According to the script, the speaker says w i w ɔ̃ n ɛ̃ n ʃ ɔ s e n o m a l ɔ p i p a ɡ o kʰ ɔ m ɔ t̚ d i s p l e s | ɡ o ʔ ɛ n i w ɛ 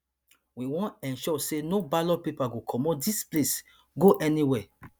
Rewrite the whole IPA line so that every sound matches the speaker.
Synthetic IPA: w i w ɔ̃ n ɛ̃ n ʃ ɔ s e n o b a l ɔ p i p a ɡ o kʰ ɔ m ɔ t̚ d i s p l e s | ɡ o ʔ ɛ n i w ɛ